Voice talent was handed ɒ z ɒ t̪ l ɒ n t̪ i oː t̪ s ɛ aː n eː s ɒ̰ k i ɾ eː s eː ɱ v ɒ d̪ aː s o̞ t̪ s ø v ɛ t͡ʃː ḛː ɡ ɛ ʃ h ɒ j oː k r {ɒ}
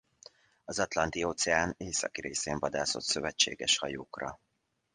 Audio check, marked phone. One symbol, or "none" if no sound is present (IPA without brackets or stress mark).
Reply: ɒ